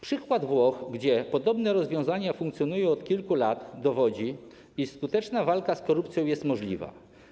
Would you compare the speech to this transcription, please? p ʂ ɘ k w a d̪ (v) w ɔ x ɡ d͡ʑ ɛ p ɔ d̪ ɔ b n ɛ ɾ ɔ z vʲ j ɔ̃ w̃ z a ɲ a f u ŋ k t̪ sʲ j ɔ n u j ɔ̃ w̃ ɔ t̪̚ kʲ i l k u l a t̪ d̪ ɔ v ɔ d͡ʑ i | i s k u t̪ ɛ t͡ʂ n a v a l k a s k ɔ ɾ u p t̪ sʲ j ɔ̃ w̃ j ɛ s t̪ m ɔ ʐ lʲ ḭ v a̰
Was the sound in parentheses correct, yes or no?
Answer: yes